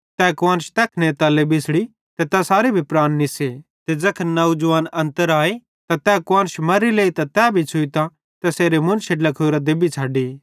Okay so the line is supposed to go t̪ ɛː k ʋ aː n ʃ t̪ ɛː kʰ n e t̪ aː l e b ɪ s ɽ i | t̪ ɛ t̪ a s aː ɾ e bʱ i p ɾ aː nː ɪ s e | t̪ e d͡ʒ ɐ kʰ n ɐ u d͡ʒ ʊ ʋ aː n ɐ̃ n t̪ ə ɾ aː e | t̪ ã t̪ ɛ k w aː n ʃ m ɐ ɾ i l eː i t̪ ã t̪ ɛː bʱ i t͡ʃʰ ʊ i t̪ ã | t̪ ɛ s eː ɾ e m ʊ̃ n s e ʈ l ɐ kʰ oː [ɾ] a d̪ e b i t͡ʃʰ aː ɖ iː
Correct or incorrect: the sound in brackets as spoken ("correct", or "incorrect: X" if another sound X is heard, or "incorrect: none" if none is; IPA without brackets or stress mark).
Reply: correct